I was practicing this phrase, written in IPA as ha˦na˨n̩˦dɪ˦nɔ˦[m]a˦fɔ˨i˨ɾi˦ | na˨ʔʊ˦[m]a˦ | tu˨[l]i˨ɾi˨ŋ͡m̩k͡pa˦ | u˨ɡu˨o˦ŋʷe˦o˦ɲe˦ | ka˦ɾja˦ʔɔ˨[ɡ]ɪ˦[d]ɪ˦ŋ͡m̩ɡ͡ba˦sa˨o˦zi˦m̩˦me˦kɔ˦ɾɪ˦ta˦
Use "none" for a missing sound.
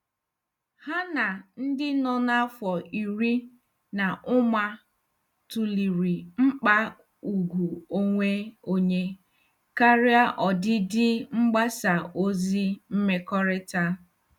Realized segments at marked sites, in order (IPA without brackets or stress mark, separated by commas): n, m, l, d, d